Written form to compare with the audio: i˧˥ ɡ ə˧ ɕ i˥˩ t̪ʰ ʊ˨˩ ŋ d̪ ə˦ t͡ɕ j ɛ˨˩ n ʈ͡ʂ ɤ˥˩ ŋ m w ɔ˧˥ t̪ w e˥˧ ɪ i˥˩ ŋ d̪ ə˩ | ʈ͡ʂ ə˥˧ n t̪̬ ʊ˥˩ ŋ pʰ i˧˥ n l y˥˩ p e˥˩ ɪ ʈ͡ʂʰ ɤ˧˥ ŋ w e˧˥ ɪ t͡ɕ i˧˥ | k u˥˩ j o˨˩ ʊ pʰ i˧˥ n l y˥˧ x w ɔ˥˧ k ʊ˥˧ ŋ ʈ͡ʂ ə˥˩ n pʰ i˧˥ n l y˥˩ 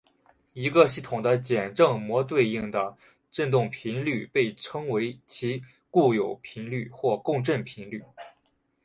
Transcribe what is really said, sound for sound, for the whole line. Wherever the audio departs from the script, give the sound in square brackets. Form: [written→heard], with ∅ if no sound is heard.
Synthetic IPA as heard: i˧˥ ɡ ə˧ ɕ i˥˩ t̪ʰ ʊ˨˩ ŋ d̪ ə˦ t͡ɕ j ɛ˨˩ n ʈ͡ʂ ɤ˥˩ ŋ m w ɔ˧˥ t̪ w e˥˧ ɪ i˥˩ ŋ d̪ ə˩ | ʈ͡ʂ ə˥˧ n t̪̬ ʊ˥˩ ŋ pʰ i˧˥ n l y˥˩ p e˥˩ ɪ ʈ͡ʂʰ [ɤ˧˥→ɤ˥] ŋ w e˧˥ ɪ [t͡ɕ→t͡ɕʰ] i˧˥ | k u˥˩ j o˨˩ ʊ pʰ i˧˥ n l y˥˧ x w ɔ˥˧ k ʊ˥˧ ŋ ʈ͡ʂ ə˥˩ n pʰ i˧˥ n l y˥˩